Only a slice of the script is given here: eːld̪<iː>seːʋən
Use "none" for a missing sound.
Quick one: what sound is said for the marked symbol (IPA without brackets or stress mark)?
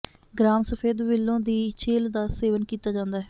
aː